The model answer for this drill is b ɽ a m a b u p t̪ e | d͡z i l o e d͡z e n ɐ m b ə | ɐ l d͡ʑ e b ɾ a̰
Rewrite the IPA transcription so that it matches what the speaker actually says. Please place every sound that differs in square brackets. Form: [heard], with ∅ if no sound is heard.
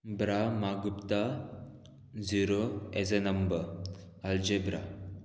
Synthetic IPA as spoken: b [ɾ] a m a [ɡ] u p t̪ [a] | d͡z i [ɾ] o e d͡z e n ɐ m b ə | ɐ l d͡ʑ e b ɾ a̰